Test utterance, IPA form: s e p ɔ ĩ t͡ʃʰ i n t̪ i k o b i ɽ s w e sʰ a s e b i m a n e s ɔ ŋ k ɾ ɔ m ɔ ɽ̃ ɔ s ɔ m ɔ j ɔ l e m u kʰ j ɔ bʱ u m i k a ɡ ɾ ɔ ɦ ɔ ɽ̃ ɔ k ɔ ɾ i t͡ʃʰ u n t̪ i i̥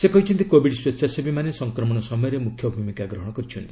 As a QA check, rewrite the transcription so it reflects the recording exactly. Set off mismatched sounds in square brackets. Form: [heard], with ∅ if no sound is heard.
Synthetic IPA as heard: s e [k] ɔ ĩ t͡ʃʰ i n t̪ i k o b i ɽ s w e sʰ a s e b i m a n e s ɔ ŋ k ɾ ɔ m ɔ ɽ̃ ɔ s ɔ m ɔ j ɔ [ɾ] e m u kʰ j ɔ bʱ u m i k a ɡ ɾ ɔ ɦ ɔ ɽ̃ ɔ k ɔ ɾ i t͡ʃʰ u n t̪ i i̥